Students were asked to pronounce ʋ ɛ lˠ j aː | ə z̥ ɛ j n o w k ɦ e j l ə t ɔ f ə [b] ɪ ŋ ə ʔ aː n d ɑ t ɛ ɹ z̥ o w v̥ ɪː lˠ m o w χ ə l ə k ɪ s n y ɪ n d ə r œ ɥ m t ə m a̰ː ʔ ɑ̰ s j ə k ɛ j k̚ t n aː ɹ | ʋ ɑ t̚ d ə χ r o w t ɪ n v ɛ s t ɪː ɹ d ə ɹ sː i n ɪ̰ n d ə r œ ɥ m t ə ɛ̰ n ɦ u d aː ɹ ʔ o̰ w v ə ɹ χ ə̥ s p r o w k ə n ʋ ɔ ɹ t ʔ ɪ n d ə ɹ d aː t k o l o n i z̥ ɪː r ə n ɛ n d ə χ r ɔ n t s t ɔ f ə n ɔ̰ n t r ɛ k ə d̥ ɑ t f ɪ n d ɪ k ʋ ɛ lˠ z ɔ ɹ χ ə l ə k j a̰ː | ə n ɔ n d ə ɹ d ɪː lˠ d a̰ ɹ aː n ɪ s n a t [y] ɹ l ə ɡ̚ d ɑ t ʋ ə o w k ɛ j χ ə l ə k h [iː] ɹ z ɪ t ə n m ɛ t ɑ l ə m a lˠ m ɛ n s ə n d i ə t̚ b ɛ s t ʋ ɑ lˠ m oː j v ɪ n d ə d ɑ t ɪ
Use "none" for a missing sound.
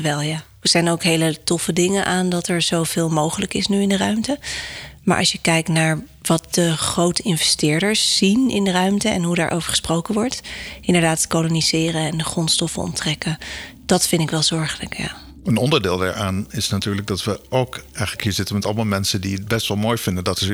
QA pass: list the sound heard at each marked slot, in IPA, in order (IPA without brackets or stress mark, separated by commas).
d, yː, iː